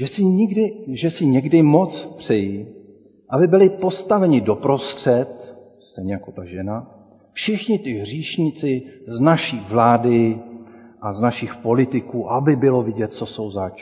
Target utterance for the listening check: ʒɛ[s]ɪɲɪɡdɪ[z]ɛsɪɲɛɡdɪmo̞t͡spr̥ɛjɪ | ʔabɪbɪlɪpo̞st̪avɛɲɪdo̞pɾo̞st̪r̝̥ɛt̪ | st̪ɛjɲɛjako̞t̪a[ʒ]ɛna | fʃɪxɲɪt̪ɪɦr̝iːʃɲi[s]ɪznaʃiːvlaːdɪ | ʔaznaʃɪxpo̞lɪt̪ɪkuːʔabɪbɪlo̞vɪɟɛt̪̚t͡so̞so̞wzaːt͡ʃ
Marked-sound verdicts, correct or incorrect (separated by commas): correct, incorrect, correct, incorrect